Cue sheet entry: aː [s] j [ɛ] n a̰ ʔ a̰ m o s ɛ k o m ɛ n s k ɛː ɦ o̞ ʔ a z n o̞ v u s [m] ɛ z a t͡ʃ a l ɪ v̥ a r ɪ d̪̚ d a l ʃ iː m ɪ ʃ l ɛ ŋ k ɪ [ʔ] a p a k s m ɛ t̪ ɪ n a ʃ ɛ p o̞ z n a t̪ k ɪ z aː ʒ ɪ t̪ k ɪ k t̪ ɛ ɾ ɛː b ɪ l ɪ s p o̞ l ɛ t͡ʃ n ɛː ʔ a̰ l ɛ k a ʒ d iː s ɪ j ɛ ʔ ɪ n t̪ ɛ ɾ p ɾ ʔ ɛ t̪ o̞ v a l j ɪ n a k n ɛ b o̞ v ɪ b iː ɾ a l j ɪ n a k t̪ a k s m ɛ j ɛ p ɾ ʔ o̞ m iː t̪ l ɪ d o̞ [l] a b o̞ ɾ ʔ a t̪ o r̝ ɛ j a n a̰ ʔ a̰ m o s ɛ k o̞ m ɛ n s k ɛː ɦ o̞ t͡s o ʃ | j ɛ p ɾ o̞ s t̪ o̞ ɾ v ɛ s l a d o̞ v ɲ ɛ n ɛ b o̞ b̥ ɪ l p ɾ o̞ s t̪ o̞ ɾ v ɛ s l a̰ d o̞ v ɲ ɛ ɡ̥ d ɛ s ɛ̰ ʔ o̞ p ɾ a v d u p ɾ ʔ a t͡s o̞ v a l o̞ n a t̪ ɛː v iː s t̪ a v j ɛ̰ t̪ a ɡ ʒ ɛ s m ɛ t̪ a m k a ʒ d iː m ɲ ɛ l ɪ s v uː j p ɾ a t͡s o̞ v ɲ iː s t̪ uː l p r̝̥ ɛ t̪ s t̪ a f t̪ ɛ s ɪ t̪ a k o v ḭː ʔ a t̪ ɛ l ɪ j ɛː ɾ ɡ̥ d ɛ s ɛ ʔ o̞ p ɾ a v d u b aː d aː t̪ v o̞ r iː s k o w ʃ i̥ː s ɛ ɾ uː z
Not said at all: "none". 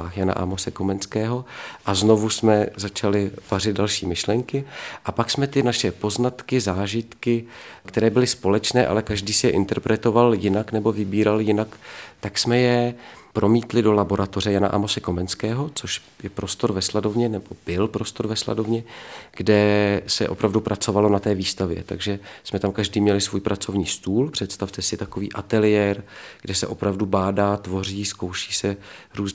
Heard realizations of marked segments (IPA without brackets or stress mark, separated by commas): x, a, m, ʔ, l